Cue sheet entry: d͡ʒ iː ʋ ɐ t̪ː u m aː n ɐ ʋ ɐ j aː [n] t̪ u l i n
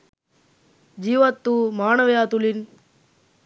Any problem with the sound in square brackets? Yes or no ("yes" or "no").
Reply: yes